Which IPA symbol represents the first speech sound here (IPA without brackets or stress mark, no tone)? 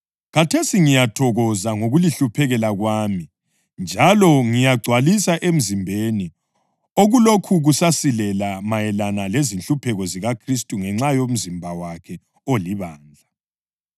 ɣ